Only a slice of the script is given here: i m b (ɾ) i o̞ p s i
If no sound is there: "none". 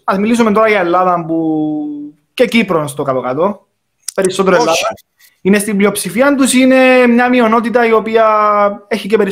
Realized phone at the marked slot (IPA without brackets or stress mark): l